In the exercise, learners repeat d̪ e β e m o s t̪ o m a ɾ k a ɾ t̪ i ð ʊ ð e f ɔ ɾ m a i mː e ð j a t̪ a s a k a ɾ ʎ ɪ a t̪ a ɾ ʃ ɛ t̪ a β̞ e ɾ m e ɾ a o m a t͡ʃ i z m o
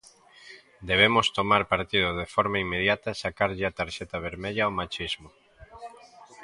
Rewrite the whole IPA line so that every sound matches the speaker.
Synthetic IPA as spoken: d̪ e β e m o s t̪ o m a ɾ p a ɾ t̪ i ð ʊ ð e f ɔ ɾ m a i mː e ð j a t̪ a s a k a ɾ ʎ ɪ a t̪ a ɾ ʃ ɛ t̪ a β̞ e ɾ m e ʎ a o m a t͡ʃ i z m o